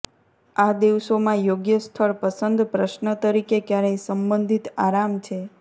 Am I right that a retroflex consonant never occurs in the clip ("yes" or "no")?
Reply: no